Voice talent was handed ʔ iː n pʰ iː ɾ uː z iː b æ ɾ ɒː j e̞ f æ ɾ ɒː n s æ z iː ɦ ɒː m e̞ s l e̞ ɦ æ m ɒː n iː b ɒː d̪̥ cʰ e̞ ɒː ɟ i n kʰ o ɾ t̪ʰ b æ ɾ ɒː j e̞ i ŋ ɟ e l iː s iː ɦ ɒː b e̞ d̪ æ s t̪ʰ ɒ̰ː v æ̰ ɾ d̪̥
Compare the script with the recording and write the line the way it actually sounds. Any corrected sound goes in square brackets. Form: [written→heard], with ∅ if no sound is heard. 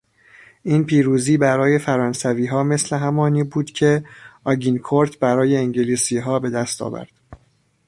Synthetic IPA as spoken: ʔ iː n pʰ iː ɾ uː z iː b æ ɾ ɒː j e̞ f æ ɾ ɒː n s æ [z→v] iː ɦ ɒː m e̞ s l e̞ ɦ æ m ɒː n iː b [ɒː→uː] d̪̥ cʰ e̞ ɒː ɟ i n kʰ o ɾ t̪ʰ b æ ɾ ɒː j e̞ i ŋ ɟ e l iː s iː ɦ ɒː b e̞ d̪ æ s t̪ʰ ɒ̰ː v æ̰ ɾ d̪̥